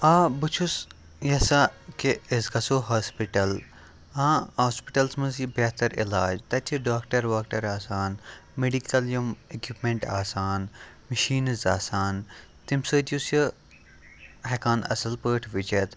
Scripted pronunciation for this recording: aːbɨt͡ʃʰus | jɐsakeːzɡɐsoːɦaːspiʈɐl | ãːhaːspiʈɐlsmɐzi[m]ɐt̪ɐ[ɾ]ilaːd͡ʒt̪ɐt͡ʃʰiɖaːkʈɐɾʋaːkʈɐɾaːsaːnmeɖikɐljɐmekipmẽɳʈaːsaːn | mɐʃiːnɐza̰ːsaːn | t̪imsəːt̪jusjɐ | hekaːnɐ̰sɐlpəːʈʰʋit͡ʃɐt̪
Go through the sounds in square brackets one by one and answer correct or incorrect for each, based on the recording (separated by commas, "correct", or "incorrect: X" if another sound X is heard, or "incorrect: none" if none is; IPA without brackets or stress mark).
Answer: incorrect: b, correct